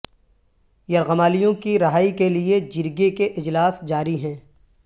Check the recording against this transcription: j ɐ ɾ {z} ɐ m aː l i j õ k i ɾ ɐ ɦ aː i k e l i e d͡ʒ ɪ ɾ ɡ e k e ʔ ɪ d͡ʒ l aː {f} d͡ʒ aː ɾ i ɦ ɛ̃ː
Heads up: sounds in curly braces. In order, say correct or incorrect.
incorrect: ɣ, incorrect: s

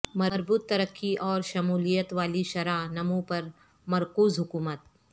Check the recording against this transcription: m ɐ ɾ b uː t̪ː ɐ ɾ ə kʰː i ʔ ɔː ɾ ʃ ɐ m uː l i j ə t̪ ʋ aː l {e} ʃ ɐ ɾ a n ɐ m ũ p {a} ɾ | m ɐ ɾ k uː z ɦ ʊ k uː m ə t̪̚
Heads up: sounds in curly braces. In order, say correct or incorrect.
incorrect: i, incorrect: ɐ

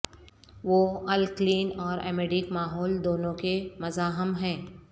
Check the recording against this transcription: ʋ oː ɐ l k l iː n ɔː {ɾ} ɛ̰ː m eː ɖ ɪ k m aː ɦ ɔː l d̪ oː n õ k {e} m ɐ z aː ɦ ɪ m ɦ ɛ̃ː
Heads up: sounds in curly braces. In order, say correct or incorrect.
correct, correct

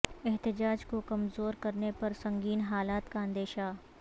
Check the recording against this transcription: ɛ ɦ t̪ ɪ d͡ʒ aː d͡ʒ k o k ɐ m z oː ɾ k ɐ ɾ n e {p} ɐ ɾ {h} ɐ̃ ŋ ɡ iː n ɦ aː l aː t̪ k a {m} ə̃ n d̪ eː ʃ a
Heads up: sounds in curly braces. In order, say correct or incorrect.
correct, incorrect: s, incorrect: none

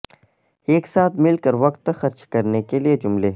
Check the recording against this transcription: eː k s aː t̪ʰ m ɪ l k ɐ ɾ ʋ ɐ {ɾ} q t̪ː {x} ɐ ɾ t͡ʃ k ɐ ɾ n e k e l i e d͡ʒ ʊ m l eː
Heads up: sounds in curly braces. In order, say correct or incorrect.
incorrect: none, correct

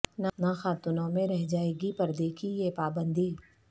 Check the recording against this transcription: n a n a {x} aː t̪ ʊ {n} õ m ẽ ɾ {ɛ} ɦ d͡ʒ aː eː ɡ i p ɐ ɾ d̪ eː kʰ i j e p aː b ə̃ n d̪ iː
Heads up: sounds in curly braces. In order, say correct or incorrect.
correct, correct, correct

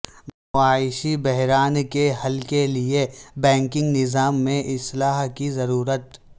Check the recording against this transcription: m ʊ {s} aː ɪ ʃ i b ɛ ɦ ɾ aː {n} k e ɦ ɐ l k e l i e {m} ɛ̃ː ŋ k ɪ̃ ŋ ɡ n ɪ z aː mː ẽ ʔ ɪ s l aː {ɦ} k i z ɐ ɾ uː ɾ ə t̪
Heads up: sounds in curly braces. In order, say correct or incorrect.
incorrect: none, correct, incorrect: b, correct

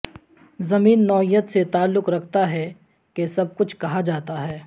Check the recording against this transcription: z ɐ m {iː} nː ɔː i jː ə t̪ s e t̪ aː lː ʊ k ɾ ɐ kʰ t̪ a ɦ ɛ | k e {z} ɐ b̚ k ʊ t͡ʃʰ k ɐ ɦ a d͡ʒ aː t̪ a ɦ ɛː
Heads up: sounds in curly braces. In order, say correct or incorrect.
correct, incorrect: s

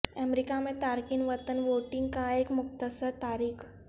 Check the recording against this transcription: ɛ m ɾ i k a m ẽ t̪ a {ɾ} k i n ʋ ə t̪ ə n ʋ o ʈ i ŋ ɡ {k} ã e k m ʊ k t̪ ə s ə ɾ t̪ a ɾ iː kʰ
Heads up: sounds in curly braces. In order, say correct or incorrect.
correct, correct

